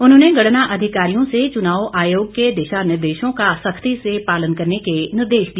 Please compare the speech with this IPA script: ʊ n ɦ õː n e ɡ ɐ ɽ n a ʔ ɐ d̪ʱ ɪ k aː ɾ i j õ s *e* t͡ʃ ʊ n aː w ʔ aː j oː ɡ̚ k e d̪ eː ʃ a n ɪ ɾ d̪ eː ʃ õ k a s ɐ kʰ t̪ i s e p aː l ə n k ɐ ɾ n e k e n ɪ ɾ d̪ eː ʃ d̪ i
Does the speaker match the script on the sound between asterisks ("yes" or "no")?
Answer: yes